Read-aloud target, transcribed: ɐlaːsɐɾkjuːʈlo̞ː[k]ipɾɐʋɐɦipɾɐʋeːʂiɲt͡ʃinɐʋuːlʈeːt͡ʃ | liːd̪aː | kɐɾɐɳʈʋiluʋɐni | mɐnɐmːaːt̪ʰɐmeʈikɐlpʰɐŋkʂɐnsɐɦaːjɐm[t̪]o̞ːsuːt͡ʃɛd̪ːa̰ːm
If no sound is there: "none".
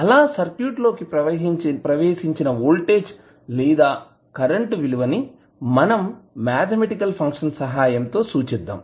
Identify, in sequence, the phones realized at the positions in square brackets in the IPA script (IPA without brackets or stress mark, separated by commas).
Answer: k, t̪